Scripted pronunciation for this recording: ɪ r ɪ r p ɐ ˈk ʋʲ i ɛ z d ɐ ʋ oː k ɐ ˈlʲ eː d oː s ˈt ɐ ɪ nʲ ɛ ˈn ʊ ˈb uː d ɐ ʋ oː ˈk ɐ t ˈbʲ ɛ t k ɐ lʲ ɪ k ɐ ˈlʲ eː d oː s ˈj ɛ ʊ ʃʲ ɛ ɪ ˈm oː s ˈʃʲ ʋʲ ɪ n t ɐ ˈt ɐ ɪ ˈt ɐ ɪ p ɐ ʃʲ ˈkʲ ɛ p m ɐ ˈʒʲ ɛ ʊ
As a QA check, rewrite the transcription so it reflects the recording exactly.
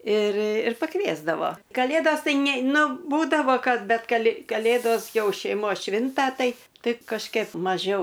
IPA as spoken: ɪ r ɪ r p ɐ ˈk ʋʲ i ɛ z d ɐ ʋ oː k ɐ ˈlʲ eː d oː s ˈt ɐ ɪ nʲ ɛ ˈn ʊ ˈb uː d ɐ ʋ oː ˈk ɐ t ˈbʲ ɛ t k ɐ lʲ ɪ k ɐ ˈlʲ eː d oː s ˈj ɛ ʊ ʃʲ ɛ ɪ ˈm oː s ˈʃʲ ʋʲ ɪ n t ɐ ˈt ɐ ɪ ˈt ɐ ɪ k ɐ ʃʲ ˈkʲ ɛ p m ɐ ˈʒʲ ɛ ʊ